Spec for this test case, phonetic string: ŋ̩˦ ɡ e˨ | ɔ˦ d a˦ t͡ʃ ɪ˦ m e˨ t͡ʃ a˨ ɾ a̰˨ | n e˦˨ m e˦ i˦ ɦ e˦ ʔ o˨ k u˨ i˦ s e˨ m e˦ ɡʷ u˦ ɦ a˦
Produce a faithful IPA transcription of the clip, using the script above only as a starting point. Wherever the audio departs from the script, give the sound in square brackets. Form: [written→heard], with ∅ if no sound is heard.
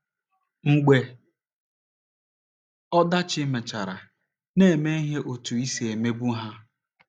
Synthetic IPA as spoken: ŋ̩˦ [ɡ→ɡ͡b] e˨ | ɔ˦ d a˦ t͡ʃ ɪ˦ m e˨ t͡ʃ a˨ ɾ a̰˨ | n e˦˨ m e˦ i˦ ɦ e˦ ʔ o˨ [k→t] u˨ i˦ s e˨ m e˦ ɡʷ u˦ ɦ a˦